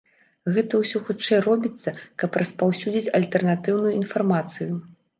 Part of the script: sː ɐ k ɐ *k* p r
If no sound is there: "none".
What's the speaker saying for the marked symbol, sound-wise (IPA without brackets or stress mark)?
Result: none